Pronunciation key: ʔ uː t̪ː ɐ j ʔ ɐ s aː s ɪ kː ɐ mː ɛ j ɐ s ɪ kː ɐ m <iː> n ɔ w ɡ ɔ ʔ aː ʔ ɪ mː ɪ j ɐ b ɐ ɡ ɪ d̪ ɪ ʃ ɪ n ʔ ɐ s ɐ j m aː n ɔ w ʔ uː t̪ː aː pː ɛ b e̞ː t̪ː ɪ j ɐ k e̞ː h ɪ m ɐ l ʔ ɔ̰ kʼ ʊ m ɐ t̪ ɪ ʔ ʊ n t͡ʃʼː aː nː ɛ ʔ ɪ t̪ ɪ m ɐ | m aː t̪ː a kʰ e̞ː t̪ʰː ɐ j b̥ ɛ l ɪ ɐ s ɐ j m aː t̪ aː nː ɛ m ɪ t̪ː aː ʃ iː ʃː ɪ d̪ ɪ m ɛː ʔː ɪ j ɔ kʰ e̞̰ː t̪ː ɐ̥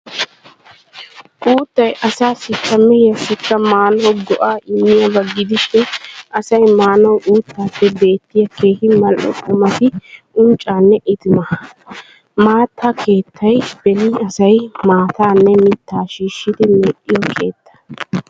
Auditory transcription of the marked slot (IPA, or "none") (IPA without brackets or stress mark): aː